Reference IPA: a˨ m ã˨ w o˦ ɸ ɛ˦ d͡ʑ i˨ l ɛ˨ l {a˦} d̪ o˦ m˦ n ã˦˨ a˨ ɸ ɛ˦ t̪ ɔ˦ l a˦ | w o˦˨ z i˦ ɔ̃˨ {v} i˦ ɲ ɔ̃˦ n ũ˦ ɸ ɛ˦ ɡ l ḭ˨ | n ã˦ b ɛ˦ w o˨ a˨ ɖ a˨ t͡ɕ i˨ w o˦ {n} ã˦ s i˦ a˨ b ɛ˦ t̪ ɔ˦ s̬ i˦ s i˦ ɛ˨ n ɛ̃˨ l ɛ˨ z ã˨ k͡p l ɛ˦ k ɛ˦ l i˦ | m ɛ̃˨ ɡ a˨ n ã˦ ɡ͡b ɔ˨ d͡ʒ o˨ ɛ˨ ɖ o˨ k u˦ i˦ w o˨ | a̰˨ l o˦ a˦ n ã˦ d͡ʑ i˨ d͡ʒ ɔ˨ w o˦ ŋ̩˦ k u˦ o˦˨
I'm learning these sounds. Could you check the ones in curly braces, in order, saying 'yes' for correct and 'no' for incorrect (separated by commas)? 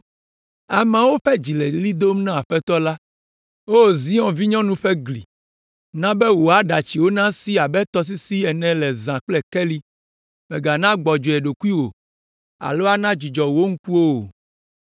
no, yes, yes